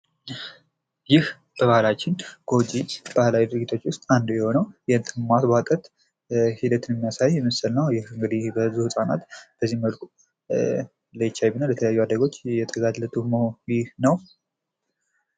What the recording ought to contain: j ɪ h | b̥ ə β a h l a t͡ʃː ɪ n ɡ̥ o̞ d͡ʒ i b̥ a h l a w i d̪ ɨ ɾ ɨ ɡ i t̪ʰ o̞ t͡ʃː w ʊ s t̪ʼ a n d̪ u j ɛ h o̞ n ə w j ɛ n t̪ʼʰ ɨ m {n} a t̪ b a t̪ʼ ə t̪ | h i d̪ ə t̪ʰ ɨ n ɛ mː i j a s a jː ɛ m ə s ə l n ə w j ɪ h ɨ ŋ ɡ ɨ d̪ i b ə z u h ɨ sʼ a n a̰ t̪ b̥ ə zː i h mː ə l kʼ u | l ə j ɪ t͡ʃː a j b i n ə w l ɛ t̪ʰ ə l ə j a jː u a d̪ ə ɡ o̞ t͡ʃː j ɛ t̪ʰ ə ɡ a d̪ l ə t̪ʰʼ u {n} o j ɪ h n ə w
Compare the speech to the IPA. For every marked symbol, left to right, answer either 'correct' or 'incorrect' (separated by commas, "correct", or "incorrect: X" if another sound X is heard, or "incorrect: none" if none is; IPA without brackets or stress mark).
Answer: incorrect: m, incorrect: m